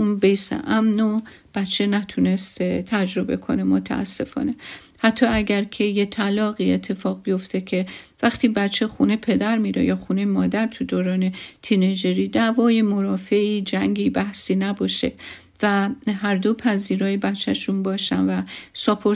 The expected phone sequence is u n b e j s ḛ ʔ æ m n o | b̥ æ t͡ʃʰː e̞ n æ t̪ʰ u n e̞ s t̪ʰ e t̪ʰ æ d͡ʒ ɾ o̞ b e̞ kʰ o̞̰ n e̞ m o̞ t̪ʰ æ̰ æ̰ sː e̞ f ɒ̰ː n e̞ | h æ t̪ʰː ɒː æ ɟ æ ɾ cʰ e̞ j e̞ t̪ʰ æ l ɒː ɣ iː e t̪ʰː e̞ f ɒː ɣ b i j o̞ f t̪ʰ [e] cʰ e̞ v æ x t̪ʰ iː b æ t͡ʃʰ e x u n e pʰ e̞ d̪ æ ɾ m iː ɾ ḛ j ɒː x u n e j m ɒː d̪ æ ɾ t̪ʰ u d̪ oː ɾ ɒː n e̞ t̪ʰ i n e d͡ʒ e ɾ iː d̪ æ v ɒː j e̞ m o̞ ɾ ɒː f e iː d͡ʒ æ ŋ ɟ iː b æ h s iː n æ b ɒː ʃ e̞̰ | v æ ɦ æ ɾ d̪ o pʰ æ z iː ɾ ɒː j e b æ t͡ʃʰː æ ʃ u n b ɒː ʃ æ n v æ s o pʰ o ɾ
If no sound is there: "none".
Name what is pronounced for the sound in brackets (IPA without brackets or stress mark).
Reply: e